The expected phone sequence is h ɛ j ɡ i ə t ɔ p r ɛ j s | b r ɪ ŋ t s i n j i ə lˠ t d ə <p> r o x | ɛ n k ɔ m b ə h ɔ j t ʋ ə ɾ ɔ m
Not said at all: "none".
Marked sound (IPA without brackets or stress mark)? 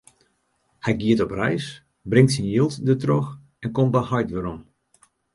t